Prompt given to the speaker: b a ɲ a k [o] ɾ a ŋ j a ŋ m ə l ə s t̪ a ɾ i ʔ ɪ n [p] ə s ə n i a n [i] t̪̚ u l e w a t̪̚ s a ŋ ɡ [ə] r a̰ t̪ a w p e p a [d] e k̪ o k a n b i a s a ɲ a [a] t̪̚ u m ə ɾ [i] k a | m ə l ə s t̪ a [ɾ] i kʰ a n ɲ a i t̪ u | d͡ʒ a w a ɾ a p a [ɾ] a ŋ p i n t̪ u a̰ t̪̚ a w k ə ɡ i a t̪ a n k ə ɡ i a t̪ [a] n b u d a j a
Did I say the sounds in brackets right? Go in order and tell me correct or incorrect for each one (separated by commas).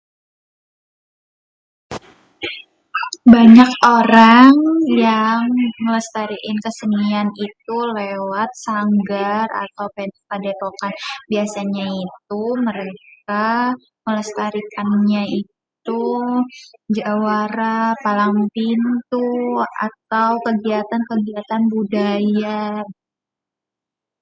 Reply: correct, incorrect, correct, incorrect, correct, incorrect, incorrect, correct, incorrect, correct